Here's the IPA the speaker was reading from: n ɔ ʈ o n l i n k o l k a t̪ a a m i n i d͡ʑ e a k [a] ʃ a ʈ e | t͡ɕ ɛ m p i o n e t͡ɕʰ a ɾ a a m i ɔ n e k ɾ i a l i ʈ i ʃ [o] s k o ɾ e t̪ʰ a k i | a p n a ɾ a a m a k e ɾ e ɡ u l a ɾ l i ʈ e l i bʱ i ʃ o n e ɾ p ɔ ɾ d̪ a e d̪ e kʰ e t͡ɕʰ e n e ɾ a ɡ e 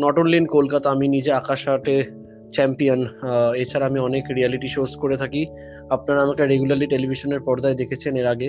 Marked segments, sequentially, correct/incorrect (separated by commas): correct, correct